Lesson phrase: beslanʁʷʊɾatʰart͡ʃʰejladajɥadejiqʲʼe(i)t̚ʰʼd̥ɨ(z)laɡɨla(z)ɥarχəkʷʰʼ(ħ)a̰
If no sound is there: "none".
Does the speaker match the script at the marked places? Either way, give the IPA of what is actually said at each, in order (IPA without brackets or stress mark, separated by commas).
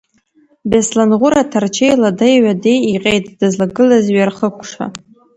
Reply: j, z, z, ʂ